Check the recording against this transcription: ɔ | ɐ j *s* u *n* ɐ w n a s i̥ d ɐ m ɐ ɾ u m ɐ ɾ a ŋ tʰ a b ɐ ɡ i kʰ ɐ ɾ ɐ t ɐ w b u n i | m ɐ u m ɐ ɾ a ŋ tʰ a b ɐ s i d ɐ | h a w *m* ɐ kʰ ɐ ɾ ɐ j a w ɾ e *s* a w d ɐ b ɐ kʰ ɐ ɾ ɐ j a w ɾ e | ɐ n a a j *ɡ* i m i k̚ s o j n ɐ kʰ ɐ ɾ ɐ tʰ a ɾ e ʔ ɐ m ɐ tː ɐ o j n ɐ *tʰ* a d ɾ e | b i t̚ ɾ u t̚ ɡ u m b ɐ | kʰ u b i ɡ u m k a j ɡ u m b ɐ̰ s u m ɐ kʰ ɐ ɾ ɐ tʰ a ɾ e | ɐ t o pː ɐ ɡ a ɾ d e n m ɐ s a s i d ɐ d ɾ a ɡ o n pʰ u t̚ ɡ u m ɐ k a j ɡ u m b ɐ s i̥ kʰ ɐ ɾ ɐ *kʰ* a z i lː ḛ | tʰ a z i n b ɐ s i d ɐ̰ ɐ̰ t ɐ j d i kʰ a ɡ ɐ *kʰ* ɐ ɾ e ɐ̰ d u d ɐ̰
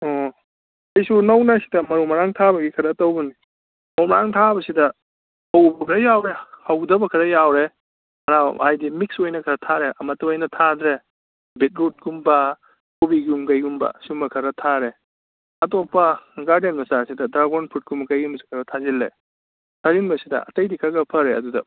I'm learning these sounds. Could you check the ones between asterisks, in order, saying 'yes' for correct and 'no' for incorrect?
yes, yes, no, no, no, yes, no, no

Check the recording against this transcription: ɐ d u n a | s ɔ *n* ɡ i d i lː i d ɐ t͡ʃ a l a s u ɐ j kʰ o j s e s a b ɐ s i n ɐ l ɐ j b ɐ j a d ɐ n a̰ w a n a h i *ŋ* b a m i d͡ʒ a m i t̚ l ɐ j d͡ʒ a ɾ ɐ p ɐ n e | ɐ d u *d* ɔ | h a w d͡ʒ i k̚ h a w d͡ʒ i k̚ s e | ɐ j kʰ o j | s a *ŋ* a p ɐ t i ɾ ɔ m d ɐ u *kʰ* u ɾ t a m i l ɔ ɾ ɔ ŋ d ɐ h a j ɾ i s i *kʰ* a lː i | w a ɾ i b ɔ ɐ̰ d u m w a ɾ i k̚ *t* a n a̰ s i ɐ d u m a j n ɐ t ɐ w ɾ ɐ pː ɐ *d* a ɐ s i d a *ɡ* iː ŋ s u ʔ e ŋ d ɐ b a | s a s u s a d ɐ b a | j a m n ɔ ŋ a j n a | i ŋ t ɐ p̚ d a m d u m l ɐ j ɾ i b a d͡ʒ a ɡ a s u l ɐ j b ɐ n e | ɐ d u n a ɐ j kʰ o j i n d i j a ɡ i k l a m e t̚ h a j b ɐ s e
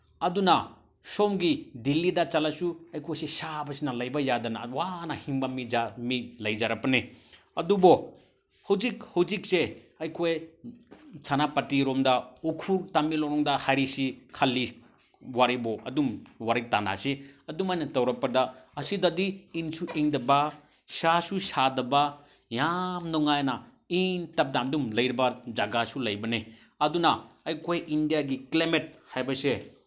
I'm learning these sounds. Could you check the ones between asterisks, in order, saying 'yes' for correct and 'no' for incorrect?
no, yes, no, no, yes, yes, yes, yes, no

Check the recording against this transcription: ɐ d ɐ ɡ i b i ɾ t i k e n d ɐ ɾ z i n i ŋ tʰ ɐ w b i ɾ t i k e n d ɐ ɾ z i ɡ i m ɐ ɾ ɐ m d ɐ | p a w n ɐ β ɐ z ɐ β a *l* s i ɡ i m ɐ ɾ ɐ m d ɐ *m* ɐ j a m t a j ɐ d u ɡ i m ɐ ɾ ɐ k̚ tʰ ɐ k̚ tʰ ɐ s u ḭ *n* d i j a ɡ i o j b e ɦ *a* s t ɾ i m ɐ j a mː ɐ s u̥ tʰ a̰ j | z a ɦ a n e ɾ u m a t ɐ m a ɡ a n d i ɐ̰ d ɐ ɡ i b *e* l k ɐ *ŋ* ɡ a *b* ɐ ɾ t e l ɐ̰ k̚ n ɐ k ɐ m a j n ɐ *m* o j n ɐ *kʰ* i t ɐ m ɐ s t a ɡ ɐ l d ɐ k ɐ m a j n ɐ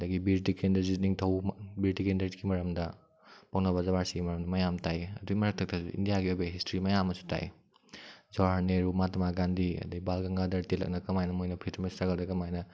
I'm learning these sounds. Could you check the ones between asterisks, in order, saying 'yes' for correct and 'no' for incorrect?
no, yes, yes, no, no, yes, no, yes, no

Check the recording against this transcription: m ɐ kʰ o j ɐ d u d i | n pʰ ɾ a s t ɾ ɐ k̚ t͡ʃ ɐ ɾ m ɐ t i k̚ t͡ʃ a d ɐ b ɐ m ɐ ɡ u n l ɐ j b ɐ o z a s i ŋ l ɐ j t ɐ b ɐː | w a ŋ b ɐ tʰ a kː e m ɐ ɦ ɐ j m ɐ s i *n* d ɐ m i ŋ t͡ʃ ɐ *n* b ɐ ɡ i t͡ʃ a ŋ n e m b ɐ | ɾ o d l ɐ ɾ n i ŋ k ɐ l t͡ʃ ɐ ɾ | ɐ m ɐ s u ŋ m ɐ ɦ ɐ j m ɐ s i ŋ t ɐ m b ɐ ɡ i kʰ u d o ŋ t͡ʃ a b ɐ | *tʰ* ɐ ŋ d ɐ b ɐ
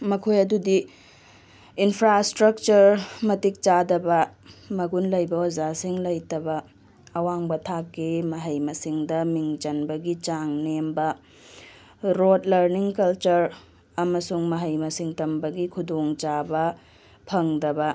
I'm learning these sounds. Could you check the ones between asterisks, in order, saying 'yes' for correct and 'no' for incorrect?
no, yes, no

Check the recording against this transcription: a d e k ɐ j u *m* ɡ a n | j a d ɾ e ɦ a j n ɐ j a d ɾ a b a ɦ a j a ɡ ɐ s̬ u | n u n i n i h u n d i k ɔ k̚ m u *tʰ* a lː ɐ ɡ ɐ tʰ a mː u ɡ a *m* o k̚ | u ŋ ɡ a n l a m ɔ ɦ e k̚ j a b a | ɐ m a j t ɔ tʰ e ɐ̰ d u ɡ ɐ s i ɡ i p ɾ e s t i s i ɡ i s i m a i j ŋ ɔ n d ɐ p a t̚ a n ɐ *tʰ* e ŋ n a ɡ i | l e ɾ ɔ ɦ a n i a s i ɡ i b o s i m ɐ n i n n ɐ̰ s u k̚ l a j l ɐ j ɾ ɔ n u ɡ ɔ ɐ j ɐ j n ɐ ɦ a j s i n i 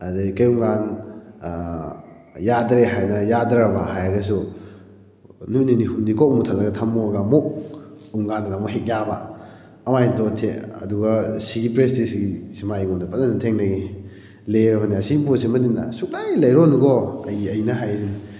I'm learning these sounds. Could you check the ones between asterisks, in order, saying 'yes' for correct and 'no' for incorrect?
no, yes, yes, yes

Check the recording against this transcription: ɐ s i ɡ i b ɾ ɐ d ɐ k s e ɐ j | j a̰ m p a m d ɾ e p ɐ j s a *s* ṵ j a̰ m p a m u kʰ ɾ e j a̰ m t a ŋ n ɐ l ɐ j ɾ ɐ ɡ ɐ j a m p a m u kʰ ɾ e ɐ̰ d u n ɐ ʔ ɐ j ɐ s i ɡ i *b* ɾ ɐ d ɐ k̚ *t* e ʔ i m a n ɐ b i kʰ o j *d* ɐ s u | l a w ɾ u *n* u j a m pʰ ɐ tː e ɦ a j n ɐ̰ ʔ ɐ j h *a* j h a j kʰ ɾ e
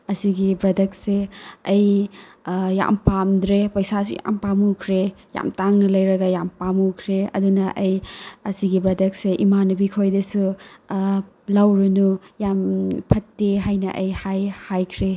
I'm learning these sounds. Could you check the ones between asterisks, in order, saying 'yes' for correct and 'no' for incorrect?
yes, yes, no, yes, yes, yes

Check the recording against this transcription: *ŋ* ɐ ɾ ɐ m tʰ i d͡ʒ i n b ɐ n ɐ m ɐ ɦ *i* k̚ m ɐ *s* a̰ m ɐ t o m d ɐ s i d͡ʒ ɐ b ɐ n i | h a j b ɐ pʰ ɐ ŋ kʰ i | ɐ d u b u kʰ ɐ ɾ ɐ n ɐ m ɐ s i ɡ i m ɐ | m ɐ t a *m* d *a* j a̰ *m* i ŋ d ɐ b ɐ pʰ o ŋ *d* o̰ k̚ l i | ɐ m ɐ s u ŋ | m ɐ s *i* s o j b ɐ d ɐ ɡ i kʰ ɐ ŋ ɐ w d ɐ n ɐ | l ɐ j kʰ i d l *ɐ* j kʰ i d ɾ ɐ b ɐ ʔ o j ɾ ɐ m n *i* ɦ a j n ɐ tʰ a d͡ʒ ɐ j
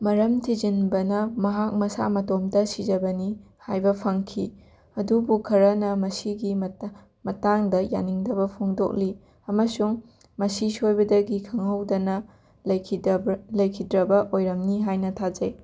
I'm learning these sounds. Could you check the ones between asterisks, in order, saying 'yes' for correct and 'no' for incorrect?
no, no, yes, no, no, no, yes, yes, yes, yes

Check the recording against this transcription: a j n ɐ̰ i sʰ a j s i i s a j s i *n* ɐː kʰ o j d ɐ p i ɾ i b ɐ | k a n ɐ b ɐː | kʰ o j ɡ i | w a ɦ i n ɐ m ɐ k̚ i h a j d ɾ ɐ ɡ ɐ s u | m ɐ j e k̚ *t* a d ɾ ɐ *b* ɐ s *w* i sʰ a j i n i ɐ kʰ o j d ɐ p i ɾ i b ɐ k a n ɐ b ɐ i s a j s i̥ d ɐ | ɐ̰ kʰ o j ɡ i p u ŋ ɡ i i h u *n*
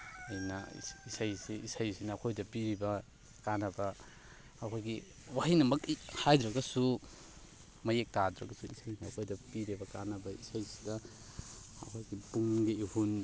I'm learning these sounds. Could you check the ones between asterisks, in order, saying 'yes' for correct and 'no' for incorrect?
yes, yes, no, no, yes

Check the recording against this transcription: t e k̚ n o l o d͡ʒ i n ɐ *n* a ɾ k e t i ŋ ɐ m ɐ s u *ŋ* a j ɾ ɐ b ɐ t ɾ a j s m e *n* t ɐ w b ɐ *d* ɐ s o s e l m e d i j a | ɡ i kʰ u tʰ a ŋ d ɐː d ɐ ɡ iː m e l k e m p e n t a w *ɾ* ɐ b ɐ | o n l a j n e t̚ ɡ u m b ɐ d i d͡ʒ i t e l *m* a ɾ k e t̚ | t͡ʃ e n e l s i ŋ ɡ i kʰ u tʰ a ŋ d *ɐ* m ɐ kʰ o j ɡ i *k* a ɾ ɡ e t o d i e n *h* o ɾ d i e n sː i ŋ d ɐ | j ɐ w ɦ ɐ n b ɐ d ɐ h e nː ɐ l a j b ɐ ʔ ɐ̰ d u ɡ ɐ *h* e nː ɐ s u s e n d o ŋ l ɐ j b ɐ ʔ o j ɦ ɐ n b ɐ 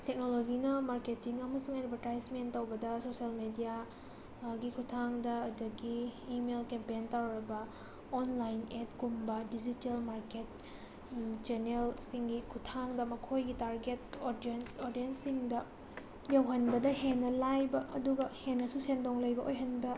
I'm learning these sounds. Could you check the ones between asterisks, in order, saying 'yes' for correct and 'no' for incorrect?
no, yes, yes, yes, yes, yes, yes, no, no, yes

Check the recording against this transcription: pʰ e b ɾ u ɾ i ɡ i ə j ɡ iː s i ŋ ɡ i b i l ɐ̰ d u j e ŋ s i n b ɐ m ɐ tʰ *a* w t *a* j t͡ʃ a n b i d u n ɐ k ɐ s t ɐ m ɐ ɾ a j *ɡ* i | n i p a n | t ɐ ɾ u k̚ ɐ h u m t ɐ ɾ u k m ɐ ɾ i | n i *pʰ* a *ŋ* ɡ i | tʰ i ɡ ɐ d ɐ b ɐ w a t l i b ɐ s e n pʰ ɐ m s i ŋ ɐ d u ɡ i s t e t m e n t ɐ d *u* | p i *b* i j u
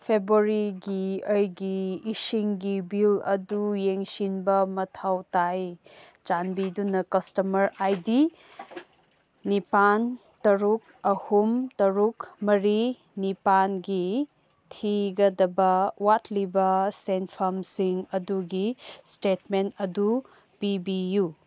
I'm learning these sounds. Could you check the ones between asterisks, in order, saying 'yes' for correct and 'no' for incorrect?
yes, yes, no, no, no, yes, yes

